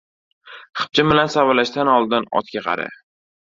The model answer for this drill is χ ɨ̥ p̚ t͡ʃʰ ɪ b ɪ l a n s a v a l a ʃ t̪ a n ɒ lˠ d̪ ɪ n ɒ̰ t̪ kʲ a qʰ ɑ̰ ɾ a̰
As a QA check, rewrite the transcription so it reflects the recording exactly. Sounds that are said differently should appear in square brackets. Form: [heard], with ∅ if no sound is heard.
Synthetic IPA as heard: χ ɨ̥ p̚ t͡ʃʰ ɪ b ɪ l a n s a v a l a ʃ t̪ a n ɒ lˠ d̪ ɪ n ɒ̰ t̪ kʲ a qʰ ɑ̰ ɾ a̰